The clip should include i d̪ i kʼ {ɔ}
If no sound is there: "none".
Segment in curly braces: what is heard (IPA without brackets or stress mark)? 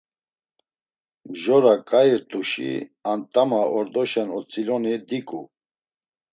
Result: u